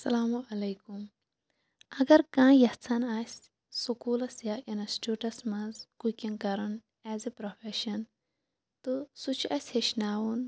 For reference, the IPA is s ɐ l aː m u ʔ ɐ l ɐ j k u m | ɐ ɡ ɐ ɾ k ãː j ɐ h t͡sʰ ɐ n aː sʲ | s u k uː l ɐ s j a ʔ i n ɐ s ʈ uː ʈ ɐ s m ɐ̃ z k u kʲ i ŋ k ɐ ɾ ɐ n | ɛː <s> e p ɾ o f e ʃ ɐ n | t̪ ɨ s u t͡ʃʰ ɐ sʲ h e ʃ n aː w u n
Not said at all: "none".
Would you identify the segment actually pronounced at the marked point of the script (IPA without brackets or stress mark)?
z